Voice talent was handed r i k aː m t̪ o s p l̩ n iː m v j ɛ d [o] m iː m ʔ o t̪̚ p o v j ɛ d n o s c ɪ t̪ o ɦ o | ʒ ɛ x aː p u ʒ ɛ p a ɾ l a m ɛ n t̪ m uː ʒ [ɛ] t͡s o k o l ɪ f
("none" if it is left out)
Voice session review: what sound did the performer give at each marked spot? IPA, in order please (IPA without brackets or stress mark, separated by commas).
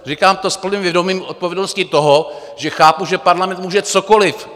o, ɛ